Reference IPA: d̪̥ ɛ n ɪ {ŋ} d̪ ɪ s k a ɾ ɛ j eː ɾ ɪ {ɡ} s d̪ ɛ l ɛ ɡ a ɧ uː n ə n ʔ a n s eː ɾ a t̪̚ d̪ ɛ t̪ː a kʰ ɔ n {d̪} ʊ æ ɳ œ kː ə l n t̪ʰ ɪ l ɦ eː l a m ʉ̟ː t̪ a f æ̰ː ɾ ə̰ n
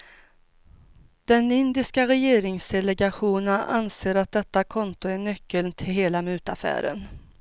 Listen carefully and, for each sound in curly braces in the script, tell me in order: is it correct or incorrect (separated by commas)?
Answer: incorrect, incorrect, incorrect